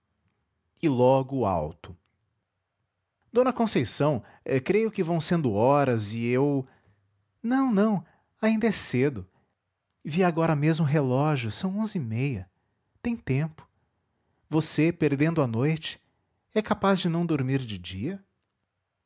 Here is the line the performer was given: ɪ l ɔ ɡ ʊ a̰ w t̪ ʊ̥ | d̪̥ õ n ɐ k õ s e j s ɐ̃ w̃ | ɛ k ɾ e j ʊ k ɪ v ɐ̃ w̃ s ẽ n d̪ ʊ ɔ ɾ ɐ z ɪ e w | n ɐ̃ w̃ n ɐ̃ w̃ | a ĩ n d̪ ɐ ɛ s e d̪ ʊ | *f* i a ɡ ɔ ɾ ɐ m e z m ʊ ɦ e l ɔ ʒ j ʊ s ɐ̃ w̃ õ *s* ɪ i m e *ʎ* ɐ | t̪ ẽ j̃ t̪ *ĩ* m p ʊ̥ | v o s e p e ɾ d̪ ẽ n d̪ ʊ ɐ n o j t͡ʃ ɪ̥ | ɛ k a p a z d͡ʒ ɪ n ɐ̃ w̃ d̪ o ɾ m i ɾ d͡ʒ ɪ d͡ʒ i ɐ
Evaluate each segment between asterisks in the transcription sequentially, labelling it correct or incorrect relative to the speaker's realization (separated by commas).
incorrect, incorrect, incorrect, incorrect